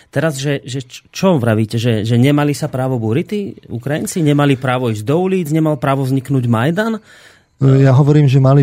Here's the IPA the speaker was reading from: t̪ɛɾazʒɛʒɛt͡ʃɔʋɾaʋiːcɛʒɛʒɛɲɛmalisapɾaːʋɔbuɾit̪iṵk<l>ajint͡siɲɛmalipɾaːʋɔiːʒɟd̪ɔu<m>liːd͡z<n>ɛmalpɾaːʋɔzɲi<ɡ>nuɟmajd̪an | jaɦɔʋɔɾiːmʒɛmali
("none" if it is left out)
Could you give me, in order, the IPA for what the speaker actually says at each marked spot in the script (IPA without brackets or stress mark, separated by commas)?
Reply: ɾ, none, ɲ, k